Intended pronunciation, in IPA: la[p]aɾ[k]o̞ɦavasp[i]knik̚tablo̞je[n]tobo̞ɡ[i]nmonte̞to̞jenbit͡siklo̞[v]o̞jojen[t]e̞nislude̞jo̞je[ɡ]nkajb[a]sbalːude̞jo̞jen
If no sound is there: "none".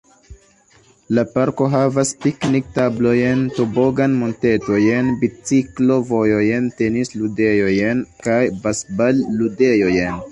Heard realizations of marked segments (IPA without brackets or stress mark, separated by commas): p, k, i, n, a, v, t, none, a